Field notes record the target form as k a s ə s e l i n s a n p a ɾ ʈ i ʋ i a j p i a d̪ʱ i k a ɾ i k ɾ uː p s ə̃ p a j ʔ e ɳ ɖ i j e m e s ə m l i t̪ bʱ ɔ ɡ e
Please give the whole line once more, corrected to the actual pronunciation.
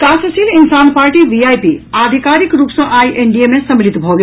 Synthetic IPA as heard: k a s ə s i l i n s a n p a ɾ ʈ i ʋ i a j p i a d̪ʱ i k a ɾ i k ɾ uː p s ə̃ ʔ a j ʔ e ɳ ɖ i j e m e s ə m l i t̪ bʱ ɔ ɡ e